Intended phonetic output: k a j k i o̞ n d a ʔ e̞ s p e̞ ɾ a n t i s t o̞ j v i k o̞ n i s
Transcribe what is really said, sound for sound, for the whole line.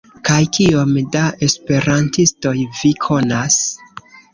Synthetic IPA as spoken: k a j k i o̞ m d a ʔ e̞ s p e̞ ɾ a n t i s t o̞ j v i kʰ o̞ n a s

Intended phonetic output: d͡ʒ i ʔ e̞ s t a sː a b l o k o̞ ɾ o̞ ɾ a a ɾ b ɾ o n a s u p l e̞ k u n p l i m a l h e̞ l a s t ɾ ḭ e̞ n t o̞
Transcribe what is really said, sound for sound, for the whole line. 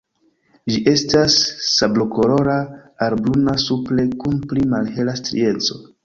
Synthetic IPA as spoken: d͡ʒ i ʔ e̞ s t a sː a b l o k o̞ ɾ o̞ ɾ a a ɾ b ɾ u n a s u p l e̞ k u n p l i m a l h e̞ l a s t ɾ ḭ e̞ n t͡s o̞

